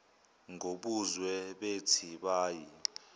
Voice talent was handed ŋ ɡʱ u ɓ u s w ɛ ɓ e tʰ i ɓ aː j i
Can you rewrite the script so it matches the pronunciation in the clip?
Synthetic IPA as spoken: ŋ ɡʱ o ɓ u z w ɛ ɓ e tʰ i ɓ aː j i